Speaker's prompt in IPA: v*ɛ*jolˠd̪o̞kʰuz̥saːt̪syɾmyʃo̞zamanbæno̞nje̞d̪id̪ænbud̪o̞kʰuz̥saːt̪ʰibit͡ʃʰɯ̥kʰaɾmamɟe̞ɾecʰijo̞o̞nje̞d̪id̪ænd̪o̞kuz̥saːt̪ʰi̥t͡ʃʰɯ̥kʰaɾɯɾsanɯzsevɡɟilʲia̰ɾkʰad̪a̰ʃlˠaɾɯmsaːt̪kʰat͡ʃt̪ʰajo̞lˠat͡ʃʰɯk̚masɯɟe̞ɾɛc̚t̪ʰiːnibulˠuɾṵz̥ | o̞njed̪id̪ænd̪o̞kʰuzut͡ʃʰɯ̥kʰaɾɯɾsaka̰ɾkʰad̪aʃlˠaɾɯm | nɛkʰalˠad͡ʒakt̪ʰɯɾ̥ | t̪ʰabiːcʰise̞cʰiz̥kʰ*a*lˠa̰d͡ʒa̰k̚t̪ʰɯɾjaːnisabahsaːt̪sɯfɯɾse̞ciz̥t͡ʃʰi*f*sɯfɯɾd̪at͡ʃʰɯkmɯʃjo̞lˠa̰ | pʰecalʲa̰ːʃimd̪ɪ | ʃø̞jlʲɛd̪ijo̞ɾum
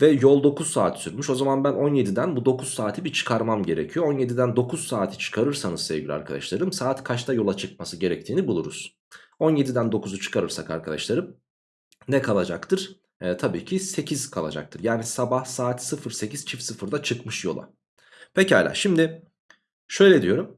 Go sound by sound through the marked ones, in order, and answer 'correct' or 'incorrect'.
correct, correct, correct

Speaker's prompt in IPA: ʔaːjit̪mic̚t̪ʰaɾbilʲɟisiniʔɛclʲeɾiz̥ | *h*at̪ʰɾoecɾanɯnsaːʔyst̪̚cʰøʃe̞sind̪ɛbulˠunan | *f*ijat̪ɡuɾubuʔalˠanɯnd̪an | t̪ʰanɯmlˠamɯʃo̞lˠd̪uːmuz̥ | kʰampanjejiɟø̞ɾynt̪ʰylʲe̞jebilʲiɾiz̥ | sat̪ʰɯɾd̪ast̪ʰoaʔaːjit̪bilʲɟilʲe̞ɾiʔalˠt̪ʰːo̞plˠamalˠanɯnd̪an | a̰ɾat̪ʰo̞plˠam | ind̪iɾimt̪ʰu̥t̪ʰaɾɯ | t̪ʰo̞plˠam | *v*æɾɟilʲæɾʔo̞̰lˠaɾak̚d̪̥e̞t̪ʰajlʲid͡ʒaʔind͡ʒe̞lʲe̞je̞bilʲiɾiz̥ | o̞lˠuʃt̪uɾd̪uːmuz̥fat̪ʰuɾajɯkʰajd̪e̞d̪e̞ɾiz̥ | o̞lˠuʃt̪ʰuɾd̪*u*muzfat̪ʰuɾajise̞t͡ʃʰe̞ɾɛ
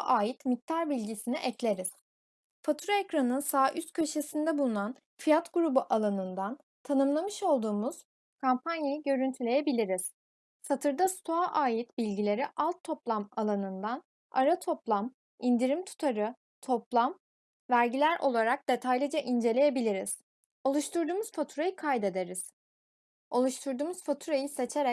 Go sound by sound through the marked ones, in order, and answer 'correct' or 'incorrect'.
incorrect: f, correct, correct, incorrect: uː

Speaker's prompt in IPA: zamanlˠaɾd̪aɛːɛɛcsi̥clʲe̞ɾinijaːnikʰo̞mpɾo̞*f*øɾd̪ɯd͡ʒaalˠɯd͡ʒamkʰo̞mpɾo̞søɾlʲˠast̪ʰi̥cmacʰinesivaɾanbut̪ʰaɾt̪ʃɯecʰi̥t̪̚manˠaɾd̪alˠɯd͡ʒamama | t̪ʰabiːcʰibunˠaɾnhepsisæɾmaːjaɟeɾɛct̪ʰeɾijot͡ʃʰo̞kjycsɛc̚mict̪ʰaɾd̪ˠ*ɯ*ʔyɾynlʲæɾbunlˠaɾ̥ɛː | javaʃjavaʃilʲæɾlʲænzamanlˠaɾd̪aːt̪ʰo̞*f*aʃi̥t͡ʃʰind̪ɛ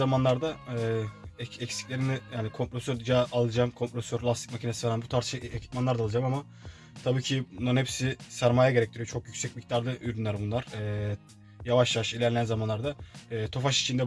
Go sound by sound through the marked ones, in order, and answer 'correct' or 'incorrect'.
incorrect: s, correct, correct

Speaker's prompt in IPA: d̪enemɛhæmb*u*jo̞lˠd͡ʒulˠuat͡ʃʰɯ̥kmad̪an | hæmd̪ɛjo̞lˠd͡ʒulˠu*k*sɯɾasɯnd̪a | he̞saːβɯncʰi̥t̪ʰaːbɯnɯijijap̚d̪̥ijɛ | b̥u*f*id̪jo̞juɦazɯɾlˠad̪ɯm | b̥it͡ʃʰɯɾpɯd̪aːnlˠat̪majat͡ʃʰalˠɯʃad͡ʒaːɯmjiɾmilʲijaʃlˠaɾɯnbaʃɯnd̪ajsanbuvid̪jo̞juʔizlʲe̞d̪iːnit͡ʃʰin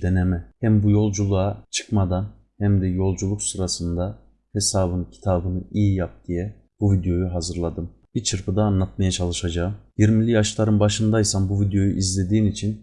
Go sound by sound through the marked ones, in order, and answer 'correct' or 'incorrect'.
correct, correct, incorrect: v

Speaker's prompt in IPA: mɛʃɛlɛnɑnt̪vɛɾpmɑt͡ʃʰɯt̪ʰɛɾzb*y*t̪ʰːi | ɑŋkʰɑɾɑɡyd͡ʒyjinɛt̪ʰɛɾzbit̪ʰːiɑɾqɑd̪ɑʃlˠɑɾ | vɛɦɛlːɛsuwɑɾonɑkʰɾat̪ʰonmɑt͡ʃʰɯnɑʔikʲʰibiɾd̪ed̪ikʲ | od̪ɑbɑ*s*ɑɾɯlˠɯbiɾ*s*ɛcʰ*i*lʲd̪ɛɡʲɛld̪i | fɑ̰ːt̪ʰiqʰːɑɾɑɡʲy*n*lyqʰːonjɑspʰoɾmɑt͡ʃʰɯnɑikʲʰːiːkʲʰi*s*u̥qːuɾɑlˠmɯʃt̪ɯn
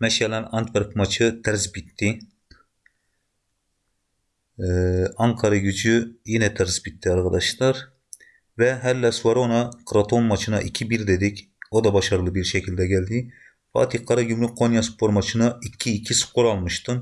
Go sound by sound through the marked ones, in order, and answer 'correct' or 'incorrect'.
incorrect: i, incorrect: ʃ, incorrect: ʃ, correct, incorrect: m, correct

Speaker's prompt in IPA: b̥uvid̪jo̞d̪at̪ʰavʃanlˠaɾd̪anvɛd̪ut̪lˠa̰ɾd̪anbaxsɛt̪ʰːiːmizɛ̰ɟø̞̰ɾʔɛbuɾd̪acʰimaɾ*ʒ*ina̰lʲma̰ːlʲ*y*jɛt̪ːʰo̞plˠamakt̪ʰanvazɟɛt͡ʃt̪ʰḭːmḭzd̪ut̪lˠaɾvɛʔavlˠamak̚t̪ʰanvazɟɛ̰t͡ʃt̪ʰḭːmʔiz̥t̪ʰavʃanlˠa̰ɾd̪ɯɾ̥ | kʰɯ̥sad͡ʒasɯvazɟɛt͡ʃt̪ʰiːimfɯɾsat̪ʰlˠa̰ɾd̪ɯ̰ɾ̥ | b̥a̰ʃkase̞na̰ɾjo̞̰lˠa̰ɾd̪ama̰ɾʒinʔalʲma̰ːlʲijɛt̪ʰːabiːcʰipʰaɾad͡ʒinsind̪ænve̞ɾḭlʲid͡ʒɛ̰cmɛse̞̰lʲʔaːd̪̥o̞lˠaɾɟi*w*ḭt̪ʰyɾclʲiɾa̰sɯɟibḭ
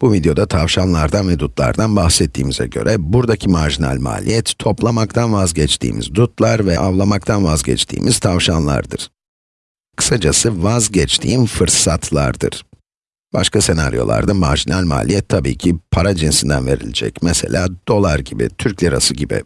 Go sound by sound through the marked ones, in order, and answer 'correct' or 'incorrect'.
correct, incorrect: i, incorrect: b

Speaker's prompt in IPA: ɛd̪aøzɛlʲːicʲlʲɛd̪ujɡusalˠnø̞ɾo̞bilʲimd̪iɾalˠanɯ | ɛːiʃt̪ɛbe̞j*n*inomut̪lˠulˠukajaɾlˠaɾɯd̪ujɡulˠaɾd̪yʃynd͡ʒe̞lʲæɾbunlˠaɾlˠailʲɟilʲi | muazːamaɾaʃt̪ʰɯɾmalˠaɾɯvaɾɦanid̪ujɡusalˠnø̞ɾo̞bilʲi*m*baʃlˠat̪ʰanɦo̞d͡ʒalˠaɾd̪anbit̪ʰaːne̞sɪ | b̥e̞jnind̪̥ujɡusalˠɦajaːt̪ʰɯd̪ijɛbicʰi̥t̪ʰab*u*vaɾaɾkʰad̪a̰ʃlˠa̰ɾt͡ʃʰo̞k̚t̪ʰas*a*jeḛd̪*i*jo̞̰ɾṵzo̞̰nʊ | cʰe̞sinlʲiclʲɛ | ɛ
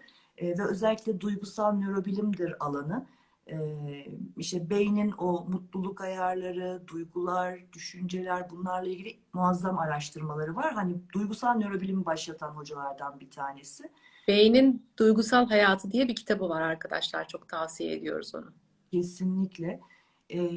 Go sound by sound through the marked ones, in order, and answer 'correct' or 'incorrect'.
correct, correct, incorrect: ɯ, incorrect: i, correct

